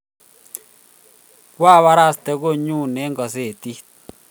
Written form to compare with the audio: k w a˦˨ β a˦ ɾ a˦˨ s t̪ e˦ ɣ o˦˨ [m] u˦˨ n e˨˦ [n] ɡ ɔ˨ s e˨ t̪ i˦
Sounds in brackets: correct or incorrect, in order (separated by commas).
incorrect, incorrect